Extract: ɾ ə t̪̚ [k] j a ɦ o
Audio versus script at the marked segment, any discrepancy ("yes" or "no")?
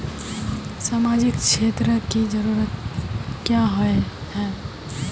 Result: no